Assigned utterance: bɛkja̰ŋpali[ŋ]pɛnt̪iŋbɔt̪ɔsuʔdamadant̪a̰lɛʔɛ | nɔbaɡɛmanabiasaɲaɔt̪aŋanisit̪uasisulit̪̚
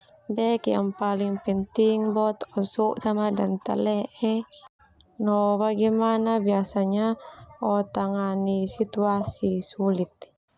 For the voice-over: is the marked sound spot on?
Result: yes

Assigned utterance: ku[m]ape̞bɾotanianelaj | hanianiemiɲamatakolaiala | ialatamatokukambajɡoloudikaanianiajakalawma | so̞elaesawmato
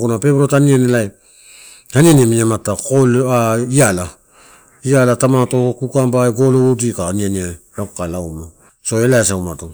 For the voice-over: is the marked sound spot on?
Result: no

